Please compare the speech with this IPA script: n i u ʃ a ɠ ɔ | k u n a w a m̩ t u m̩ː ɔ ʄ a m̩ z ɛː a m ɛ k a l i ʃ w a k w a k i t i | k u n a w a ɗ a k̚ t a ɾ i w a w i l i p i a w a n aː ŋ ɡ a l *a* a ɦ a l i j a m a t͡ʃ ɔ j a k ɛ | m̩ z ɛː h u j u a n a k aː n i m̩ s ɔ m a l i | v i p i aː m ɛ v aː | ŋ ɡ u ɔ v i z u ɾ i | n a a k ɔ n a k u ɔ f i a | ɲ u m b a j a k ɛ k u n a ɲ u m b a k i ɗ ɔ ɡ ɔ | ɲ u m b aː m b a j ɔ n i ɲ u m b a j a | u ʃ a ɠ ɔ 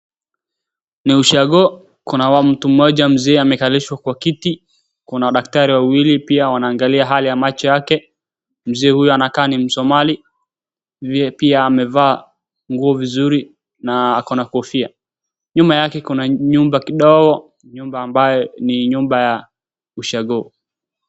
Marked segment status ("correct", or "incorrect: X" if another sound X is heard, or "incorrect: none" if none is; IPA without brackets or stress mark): incorrect: i